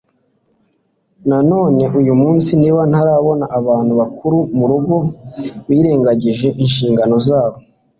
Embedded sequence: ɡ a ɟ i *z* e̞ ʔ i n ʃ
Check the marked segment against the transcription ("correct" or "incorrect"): incorrect